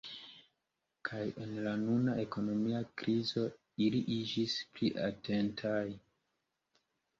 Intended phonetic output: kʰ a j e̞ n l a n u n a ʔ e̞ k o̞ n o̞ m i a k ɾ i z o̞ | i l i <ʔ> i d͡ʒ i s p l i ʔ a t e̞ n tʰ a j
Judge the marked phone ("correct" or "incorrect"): correct